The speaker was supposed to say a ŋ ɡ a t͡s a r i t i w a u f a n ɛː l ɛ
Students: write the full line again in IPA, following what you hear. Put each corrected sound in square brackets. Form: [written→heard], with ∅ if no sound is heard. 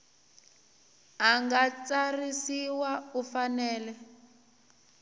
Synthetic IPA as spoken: a ŋ ɡ a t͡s a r i [t→s] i w a u f a n ɛː l ɛ